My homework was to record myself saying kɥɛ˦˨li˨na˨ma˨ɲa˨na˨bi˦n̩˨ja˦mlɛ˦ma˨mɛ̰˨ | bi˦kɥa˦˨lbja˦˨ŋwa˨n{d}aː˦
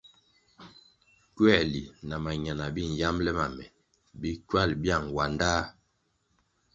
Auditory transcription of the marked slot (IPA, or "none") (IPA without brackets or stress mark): d